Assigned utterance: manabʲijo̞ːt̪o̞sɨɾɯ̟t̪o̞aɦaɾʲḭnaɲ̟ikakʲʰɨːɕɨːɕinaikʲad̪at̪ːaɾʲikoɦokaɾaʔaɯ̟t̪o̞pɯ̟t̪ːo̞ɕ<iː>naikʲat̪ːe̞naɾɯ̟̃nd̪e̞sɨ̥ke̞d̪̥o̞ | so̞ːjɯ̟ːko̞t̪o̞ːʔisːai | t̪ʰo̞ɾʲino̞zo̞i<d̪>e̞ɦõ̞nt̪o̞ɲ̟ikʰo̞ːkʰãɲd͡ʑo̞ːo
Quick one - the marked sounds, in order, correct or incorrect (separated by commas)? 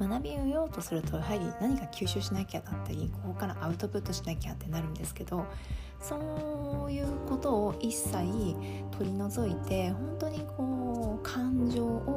incorrect, incorrect